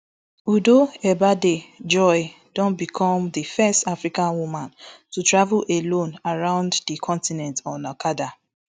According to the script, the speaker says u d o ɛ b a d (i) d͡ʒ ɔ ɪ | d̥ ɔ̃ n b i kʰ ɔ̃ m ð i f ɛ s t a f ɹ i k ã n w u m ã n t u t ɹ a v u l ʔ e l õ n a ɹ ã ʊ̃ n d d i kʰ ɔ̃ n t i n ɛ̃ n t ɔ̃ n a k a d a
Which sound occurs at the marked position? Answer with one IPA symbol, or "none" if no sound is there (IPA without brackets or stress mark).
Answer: e